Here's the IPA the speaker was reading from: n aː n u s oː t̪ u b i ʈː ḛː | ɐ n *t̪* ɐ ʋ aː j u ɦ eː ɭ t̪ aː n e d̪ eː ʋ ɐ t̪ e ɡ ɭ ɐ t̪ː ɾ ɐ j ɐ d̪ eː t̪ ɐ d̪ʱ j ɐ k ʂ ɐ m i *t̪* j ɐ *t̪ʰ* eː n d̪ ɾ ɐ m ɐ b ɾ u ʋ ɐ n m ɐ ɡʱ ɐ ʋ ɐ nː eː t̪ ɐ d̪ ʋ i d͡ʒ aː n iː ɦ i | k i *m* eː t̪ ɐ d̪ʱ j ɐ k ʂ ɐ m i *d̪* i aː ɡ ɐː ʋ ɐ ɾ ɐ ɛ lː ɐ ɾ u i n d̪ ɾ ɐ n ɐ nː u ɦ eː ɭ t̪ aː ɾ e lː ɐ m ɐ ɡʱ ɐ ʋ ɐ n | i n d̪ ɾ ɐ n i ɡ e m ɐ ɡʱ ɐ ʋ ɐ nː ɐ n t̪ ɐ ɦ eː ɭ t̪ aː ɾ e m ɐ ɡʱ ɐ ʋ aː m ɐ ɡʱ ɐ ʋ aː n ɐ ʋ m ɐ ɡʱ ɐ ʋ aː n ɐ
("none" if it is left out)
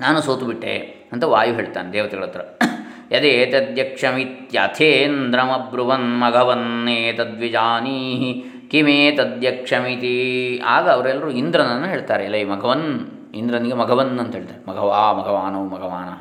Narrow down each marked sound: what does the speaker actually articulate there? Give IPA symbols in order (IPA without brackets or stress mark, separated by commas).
t̪, t̪, t̪ʰ, m, t̪